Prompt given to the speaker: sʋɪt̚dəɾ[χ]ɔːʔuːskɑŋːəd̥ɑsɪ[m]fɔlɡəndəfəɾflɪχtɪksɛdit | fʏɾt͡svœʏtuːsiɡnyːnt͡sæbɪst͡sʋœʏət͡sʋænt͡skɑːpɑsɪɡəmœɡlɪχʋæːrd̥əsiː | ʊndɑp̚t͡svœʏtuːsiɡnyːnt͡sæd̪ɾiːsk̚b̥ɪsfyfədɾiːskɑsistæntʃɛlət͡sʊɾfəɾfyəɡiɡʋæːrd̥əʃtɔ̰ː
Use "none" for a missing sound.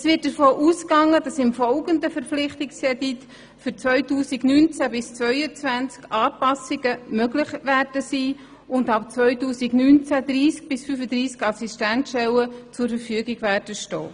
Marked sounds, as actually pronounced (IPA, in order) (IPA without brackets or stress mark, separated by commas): f, m